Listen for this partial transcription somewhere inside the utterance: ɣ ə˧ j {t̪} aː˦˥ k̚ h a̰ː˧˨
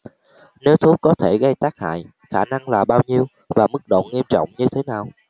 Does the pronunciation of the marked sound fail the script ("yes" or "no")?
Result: no